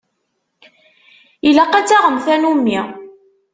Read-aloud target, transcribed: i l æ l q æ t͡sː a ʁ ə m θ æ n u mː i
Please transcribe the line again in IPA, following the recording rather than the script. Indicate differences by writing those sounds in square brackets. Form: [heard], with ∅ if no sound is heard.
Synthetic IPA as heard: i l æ [∅] q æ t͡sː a ʁ ə m θ æ n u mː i